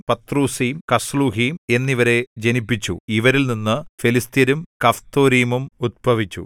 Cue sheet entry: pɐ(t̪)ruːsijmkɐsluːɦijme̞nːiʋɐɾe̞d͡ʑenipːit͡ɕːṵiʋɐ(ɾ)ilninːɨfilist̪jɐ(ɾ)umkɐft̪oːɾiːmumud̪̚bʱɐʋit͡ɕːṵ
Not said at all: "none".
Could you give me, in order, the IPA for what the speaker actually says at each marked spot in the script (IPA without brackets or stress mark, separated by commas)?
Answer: t̪, ɾ, ɾ